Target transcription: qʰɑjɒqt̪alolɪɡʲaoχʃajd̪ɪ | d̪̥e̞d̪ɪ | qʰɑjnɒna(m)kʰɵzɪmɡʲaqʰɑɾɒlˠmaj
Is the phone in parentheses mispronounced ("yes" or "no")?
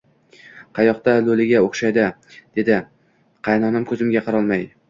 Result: no